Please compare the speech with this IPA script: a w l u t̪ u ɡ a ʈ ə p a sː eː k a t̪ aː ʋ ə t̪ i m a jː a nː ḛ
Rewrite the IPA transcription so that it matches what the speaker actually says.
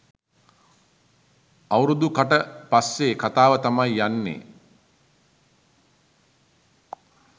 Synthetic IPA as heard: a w ɾ u d̪ u k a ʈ ə p a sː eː k a t̪ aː ʋ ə t̪ a m a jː a nː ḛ